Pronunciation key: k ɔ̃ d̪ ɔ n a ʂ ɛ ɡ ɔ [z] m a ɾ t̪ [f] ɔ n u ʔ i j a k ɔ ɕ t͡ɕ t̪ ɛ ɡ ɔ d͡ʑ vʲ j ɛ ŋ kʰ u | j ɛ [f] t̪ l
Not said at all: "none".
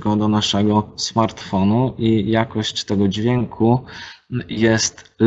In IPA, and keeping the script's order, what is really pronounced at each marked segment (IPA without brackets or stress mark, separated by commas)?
s, f, s